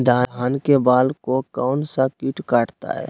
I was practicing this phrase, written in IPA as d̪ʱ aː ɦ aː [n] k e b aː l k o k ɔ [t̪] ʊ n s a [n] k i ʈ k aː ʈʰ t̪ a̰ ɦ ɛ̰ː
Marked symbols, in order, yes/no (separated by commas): yes, no, no